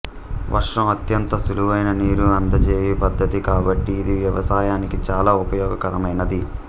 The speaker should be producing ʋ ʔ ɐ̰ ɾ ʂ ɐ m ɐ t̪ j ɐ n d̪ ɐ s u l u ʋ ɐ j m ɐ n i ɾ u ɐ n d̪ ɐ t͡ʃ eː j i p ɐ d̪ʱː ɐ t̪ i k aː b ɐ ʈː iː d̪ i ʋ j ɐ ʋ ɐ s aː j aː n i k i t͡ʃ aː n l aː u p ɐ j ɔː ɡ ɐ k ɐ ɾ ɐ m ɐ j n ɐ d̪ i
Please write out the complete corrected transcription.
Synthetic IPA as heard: ʋ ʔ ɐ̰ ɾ ʂ ɐ m ɐ t̪ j ɐ n t̪ ɐ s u l u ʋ ɐ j n ɐ n iː ɾ u ɐ n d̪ ɐ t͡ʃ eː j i p ɐ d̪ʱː ɐ t̪ i k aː b ɐ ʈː iː d̪ i ʋ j ɐ ʋ ɐ s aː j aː n i k i t͡ʃ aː l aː u p ɐ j ɔː ɡ ɐ k ɐ ɾ ɐ m ɐ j n ɐ d̪ i

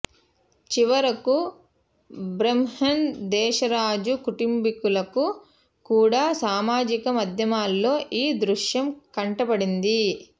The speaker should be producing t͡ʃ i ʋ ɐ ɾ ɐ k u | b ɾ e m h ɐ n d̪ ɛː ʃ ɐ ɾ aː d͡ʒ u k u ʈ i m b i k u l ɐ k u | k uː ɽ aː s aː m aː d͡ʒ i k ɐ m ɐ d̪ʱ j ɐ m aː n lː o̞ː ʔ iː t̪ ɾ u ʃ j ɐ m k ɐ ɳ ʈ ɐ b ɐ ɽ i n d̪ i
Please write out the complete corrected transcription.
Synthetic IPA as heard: t͡ʃ i ʋ ɐ ɾ ɐ k u | b ɾ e m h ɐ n d̪ ɛː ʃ ɐ ɾ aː d͡ʒ u k u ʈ i m b i k u l ɐ k u | k uː ɽ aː s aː m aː d͡ʒ i k ɐ m ɐ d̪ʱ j ɐ m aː lː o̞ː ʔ iː d̪ ɾ u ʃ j ɐ m k ɐ ɳ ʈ ɐ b ɐ ɽ i n d̪ i

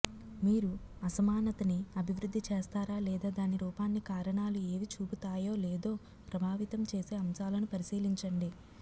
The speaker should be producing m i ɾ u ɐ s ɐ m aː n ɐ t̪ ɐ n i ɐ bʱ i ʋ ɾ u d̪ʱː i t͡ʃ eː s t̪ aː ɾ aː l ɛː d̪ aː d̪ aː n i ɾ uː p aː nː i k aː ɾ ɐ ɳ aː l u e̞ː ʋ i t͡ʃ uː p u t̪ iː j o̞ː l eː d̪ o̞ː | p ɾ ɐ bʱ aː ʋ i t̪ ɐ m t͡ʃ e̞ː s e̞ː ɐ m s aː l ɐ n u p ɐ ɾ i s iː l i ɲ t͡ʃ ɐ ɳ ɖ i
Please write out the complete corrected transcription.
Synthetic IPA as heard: m iː ɾ u ɐ s ɐ m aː n ɐ t̪ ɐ n i ɐ bʱ i ʋ ɾ u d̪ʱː i t͡ʃ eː s t̪ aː ɾ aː l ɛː d̪ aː d̪ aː n i ɾ uː p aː nː i k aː ɾ ɐ ɳ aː l u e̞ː ʋ i t͡ʃ uː p u t̪ aː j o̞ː l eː d̪ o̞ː | p ɾ ɐ bʱ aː ʋ i t̪ ɐ m t͡ʃ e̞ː s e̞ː ɐ m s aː l ɐ n u p ɐ ɾ i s iː l i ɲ t͡ʃ ɐ ɳ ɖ i

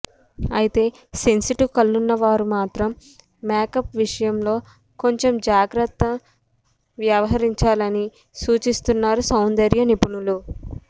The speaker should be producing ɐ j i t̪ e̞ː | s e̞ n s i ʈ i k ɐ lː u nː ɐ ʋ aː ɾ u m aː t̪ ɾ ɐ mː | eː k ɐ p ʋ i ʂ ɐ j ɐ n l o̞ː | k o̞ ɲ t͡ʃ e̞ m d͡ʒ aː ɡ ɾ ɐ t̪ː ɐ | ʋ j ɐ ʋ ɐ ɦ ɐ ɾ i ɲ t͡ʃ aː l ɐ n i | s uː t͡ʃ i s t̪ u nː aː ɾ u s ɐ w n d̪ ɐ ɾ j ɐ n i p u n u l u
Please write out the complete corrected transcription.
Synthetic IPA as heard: ɐ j i t̪ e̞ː | s e̞ n s i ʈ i k ɐ lː u nː ɐ ʋ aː ɾ u m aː t̪ ɾ ɐ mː | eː k ɐ p ʋ i ʂ ɐ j ɐ m l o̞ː | k o̞ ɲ t͡ʃ e̞ m d͡ʒ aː ɡ ɾ ɐ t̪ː ɐ | ʋ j ɐ ʋ ɐ ɦ ɐ ɾ i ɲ t͡ʃ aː l ɐ n i | s uː t͡ʃ i s t̪ u nː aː ɾ u s ɐ w n d̪ ɐ ɾ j ɐ n i p u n u l u

